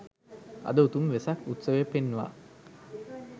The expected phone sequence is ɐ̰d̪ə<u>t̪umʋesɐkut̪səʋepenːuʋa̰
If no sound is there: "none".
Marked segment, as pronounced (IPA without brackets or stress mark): u